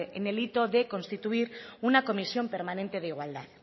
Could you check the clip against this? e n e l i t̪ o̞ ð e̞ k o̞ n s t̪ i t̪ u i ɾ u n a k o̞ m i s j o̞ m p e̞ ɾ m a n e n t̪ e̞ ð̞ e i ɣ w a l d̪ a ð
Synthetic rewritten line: e n e l i t̪ o̞ ð e̞ k o̞ n s t̪ i t̪ u i ɾ u n a k o̞ m i s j o̞ m p e̞ ɾ m a n e n t̪ e̞ ð̞ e i ɣ w a l d̪ a ð